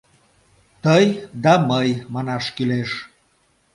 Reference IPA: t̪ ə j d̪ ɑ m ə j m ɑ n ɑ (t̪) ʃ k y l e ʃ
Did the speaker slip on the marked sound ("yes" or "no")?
yes